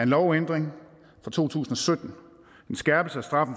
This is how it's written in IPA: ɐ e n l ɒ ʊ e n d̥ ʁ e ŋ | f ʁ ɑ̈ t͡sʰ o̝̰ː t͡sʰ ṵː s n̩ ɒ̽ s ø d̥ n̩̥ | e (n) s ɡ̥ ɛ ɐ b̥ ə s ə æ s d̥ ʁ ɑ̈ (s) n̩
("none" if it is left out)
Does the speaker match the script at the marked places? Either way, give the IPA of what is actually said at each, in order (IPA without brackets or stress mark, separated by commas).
n, f